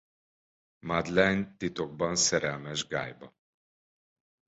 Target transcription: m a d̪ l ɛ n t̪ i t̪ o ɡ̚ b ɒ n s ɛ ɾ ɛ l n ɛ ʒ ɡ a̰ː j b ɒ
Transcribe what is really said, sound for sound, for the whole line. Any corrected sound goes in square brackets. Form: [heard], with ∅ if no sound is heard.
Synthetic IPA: m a d̪ l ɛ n t̪ i t̪ o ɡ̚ b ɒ n s ɛ ɾ ɛ l [m] ɛ ʒ ɡ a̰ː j b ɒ